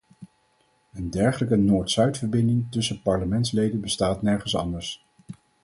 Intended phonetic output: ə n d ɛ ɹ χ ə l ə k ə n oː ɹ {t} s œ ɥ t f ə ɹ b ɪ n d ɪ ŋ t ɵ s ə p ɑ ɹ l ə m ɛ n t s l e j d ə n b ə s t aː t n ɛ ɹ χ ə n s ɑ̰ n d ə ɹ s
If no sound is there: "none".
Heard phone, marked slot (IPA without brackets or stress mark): t